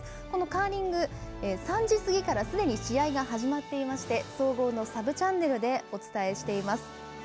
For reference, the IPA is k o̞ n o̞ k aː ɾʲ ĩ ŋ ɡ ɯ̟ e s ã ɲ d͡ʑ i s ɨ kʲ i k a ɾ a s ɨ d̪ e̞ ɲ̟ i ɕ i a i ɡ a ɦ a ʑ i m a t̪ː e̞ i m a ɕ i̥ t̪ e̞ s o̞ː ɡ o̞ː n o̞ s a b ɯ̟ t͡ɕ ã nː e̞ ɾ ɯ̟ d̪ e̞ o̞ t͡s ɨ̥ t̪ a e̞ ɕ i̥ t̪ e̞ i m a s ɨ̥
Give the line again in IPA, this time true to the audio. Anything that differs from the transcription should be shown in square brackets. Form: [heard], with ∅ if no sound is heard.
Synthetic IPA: k o̞ n o̞ k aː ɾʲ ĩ ŋ ɡ ɯ̟ e s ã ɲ d͡ʑ i s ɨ [ɡʲ] i k a ɾ a s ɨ d̪ e̞ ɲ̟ i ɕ i a i ɡ a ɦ a ʑ i m a t̪ː e̞ i m a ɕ i̥ t̪ e̞ s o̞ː ɡ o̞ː n o̞ s a b ɯ̟ t͡ɕ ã nː e̞ ɾ ɯ̟ d̪ e̞ o̞ t͡s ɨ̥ t̪ a e̞ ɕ i̥ t̪ e̞ i m a s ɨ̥

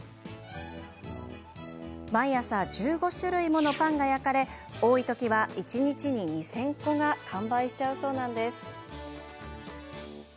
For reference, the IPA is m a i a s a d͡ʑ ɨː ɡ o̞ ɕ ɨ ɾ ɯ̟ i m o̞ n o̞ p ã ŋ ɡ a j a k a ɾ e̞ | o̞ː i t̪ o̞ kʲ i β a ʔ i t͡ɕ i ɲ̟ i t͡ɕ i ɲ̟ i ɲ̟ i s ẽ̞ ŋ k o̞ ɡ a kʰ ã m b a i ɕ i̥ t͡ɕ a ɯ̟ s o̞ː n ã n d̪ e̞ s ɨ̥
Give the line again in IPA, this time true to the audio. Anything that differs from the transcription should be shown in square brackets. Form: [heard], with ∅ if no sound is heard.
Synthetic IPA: m a i a s a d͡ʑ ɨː ɡ o̞ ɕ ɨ ɾ ɯ̟ i m o̞ n o̞ p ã ŋ ɡ a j a k a ɾ e̞ | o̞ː i t̪ o̞ kʲ i β a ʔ i t͡ɕ i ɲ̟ i t͡ɕ i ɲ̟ i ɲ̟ i s ẽ̞ ŋ k o̞ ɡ a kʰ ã m b a i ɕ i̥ t͡ɕ a ɯ̟ s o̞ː n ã n d̪ e̞ s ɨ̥

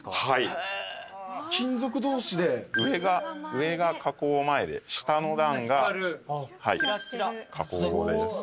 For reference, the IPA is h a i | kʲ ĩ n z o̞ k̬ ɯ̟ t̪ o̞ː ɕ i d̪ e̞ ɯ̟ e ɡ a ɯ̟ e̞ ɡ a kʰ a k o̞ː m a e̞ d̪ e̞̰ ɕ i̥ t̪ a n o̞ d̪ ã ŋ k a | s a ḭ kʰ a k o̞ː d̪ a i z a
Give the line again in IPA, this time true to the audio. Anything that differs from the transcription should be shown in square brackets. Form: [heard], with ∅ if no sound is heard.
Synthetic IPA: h a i | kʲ ĩ n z o̞ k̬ ɯ̟ [d̪] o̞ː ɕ i d̪ e̞ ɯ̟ e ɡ a ɯ̟ e̞ ɡ a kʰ a k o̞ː m a e̞ d̪ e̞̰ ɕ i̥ t̪ a n o̞ d̪ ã ŋ [ɡ] a | [h] a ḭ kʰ a k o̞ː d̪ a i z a

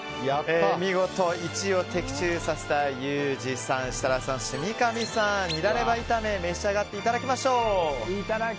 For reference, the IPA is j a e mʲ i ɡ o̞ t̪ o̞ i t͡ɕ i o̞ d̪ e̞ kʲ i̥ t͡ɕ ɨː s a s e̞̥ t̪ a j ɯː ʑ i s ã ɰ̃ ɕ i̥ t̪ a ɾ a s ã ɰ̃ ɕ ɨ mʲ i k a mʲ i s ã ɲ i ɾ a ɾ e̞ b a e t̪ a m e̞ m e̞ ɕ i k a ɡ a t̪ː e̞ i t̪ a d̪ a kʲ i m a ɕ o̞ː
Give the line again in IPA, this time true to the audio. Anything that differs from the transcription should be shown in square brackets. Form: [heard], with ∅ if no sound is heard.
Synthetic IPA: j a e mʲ i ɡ o̞ t̪ o̞ i t͡ɕ i o̞ [t̪] e̞ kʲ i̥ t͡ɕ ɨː s a s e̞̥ t̪ a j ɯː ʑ i s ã ɰ̃ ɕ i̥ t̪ a ɾ a s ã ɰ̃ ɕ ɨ mʲ i k a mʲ i s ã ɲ i ɾ a ɾ e̞ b a [i] t̪ a m e̞ m e̞ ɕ i [∅] a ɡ a t̪ː e̞ i t̪ a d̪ a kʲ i m a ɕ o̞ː

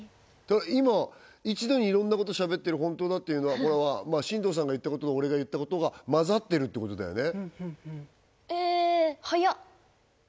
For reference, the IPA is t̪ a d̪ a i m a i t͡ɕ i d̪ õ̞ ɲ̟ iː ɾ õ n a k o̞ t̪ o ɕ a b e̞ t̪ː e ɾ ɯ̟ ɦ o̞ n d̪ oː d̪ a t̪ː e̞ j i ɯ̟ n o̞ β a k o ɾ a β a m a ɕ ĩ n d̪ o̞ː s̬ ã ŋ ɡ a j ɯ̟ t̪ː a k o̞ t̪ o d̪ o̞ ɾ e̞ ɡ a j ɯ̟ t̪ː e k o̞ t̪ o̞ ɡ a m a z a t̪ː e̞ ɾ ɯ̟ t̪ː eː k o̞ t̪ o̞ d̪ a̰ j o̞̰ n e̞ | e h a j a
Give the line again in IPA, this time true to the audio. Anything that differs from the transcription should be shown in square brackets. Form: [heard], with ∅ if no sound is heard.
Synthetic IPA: t̪ a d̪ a i m a i t͡ɕ i d̪ [o̞] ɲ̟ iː ɾ õ [nː] a k o̞ t̪ o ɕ a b e̞ t̪ː e ɾ ɯ̟ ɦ [õ̞] n [t̪] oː d̪ a t̪ː e̞ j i ɯ̟ n o̞ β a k o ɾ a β a m a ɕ ĩ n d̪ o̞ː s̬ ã ŋ ɡ a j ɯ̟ t̪ː a k o̞ t̪ o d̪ o̞ ɾ e̞ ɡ a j ɯ̟ t̪ː [a] k o̞ t̪ o̞ ɡ a m a z a t̪ː e̞ ɾ ɯ̟ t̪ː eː k o̞ t̪ o̞ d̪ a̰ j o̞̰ n e̞ | e h a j a

